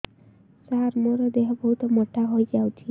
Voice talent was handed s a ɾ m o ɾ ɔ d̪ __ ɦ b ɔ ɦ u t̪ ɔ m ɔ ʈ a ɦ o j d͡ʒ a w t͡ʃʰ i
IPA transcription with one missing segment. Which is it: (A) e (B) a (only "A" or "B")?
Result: A